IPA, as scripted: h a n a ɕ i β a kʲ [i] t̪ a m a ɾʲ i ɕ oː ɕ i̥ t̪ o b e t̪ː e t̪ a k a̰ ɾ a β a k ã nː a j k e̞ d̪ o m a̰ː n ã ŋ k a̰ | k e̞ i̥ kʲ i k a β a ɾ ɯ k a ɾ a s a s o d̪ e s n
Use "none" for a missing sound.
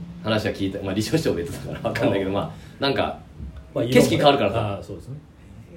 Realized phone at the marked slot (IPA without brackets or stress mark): iː